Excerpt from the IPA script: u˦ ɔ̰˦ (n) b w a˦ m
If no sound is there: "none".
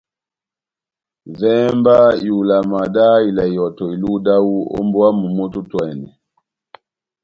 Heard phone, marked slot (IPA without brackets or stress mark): m